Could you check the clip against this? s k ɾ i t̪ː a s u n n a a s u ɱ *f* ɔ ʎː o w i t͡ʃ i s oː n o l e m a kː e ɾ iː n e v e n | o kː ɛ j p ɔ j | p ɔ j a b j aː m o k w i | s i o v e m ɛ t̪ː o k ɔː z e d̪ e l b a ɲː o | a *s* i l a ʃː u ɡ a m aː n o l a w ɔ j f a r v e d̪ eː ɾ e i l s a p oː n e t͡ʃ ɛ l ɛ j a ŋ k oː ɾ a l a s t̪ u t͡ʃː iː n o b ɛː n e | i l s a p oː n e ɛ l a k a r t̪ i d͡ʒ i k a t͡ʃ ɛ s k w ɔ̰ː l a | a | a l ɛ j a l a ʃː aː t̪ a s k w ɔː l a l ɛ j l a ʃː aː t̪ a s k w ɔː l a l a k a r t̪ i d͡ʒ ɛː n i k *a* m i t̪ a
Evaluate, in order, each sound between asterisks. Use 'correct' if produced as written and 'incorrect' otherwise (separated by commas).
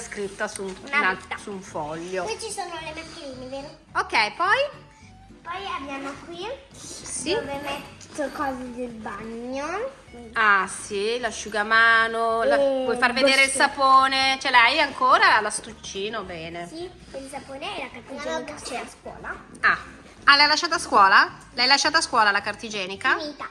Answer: correct, correct, correct